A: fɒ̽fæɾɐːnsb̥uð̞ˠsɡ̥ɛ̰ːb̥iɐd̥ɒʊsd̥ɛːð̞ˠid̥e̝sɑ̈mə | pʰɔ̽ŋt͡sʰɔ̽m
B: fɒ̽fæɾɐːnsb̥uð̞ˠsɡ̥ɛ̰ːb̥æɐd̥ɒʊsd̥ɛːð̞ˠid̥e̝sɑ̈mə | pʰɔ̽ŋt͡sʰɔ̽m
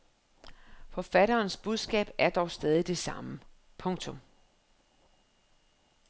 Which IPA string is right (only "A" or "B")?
B